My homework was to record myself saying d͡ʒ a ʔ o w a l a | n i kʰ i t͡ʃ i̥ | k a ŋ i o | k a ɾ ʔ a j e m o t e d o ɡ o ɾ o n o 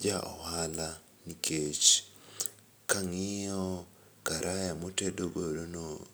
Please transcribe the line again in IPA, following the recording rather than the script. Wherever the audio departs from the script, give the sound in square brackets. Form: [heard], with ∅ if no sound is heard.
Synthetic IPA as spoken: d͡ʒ a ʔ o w a l a | n i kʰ [e] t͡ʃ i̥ | k a ŋ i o | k a ɾ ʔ a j [a] m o t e d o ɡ o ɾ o n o